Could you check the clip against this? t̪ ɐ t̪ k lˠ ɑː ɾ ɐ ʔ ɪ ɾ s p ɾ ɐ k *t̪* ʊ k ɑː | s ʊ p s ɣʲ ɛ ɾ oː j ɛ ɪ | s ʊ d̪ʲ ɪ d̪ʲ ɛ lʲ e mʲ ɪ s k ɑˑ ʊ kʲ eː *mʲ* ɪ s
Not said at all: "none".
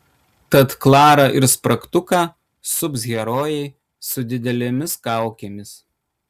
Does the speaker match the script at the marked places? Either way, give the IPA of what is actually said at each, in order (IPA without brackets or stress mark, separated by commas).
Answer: t̪, mʲ